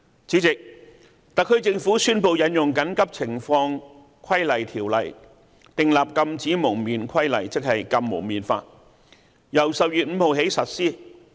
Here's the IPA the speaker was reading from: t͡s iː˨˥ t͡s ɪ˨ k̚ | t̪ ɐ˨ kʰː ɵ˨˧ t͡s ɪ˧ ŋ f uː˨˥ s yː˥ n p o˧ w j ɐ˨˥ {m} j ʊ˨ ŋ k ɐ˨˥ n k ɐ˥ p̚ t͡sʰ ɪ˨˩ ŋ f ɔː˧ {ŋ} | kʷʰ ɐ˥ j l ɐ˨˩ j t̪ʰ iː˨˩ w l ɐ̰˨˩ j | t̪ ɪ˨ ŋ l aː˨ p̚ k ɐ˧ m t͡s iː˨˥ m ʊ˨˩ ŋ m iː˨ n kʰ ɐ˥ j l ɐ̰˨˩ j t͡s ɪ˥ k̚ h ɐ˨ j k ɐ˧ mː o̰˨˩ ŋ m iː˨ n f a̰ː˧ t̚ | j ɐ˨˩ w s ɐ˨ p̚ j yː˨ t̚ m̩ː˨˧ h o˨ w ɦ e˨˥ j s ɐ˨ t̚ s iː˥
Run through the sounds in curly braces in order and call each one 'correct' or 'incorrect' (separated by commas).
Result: incorrect, correct